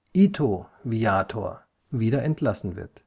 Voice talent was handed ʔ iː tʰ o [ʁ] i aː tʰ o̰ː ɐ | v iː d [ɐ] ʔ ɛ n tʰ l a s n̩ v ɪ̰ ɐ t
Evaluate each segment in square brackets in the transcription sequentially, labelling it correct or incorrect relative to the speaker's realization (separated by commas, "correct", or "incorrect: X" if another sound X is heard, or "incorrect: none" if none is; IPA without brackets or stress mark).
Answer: incorrect: v, correct